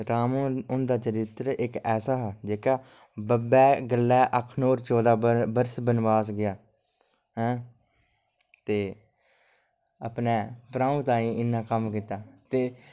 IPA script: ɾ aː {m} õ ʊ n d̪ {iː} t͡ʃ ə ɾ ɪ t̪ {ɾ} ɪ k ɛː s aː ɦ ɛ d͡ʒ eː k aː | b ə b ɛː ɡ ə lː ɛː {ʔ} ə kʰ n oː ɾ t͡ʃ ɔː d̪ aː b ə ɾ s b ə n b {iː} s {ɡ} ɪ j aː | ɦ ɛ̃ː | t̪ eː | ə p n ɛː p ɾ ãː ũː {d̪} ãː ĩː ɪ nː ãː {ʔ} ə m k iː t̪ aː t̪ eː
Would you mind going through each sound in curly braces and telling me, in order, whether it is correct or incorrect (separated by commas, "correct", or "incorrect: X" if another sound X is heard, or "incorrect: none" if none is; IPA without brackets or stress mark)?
correct, incorrect: aː, correct, correct, incorrect: aː, correct, incorrect: t̪, incorrect: k